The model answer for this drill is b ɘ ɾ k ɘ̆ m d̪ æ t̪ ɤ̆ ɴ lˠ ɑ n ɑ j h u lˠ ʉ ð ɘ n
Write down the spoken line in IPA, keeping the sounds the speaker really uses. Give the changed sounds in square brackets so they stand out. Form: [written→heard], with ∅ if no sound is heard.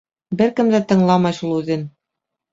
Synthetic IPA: b ɘ ɾ k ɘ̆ m d̪ æ t̪ ɤ̆ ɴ lˠ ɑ [n→m] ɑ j [h→ʃ] u lˠ ʉ ð ɘ n